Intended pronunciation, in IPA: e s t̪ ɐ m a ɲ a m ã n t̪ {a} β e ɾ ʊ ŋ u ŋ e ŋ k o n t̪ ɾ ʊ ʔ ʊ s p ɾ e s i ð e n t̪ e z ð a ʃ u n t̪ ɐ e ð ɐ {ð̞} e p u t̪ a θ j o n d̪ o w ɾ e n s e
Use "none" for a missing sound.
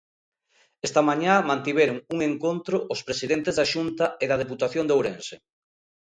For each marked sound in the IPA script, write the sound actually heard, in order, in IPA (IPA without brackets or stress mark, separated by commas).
i, ð̞